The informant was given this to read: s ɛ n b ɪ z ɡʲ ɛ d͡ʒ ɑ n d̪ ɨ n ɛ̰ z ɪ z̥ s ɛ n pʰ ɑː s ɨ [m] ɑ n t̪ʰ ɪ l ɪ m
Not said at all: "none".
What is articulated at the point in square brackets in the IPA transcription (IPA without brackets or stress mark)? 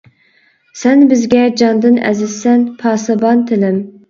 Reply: b